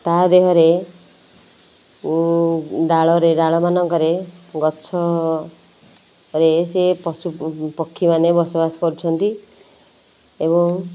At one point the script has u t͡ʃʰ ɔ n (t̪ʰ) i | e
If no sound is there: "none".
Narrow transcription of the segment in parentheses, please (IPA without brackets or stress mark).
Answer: t̪